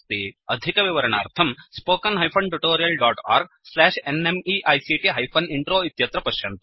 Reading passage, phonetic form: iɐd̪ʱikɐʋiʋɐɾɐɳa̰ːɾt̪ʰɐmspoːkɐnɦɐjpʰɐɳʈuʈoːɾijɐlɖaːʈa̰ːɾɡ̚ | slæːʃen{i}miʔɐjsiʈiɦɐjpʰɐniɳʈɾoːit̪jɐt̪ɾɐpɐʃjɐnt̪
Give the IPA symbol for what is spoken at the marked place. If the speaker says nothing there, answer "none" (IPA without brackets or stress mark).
e